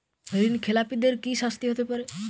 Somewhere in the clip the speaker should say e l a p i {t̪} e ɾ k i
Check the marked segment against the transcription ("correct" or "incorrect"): incorrect